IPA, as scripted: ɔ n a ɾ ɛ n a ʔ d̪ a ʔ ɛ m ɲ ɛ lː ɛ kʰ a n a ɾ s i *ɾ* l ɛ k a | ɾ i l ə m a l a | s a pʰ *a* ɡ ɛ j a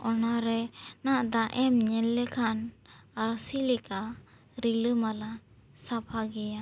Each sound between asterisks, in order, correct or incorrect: incorrect: none, correct

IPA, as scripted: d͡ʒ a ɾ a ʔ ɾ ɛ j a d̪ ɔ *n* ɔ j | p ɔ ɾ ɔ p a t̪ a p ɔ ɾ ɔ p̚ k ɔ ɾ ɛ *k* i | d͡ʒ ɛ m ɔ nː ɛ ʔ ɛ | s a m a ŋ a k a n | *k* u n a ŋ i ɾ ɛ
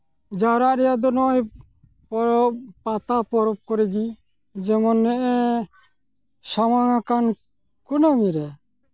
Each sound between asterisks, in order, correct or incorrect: correct, incorrect: ɡ, correct

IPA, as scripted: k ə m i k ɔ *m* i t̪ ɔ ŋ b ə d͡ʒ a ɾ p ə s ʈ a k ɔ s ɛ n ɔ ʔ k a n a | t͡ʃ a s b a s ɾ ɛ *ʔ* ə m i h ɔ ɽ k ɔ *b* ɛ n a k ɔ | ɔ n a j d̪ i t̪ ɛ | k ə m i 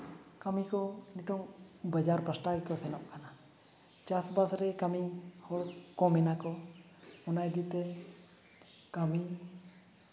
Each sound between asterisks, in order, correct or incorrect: incorrect: n, incorrect: k, incorrect: m

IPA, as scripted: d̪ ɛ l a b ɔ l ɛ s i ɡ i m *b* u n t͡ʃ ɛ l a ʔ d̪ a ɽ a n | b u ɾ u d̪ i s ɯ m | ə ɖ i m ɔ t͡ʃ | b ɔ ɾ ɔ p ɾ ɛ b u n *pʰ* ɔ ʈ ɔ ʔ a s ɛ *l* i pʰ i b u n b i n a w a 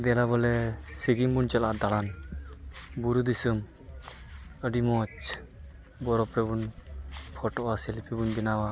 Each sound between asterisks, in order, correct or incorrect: correct, correct, correct

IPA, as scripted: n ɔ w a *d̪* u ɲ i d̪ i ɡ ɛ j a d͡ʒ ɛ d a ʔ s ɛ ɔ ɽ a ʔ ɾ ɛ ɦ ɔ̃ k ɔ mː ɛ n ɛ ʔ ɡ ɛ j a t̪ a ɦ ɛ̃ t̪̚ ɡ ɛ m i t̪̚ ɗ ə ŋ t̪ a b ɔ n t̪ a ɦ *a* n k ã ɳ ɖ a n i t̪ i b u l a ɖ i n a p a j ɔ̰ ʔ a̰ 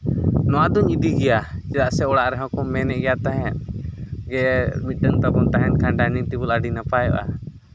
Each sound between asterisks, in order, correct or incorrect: correct, incorrect: ɛ

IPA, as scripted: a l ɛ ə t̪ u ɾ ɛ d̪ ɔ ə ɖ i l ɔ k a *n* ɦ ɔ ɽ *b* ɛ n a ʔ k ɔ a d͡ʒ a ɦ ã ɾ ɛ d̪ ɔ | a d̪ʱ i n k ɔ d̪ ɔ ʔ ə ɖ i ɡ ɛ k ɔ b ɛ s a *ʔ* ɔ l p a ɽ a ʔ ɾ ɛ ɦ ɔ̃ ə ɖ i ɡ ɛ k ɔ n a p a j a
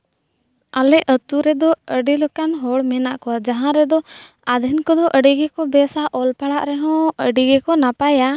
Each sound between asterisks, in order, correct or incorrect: correct, incorrect: m, correct

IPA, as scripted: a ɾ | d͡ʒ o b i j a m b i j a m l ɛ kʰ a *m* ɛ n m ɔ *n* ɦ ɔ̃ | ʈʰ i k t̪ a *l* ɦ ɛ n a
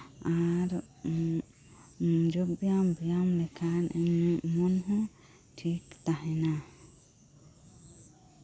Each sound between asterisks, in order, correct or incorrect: incorrect: n, correct, incorrect: none

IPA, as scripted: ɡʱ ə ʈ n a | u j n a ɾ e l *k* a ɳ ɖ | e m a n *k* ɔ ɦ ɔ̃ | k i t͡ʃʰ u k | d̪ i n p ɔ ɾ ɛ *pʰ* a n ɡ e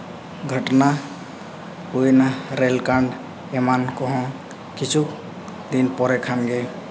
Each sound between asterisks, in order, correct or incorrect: correct, correct, incorrect: kʰ

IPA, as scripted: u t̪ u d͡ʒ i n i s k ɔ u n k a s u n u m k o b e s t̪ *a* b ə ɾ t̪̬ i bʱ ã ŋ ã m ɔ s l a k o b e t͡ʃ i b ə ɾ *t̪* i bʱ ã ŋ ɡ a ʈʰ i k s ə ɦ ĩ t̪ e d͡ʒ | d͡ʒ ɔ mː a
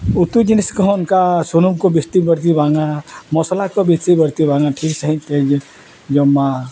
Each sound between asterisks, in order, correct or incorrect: incorrect: i, correct

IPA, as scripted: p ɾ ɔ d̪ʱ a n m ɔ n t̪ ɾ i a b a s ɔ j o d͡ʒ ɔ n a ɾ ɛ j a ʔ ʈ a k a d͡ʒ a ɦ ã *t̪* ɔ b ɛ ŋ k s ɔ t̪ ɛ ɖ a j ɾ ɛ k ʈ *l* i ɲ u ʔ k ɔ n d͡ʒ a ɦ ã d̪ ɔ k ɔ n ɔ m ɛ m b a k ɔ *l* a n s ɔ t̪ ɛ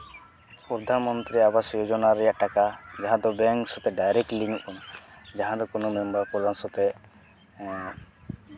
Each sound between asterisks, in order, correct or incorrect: incorrect: d̪, correct, correct

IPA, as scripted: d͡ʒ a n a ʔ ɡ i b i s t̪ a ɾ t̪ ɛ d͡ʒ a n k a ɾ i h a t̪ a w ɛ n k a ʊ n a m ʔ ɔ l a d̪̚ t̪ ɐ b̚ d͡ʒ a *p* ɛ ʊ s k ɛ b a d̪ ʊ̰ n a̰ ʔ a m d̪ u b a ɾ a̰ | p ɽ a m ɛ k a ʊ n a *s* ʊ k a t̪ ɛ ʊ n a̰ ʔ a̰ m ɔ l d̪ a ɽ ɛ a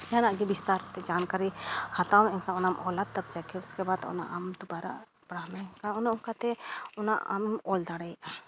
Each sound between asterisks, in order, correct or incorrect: incorrect: k, incorrect: none

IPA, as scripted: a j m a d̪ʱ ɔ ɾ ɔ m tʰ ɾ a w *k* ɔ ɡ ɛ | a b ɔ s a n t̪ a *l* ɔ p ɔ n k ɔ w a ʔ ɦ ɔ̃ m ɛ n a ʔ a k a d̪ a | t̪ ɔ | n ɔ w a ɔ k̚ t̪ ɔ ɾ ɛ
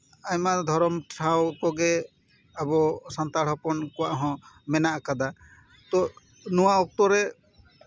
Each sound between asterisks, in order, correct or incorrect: correct, incorrect: ɽ

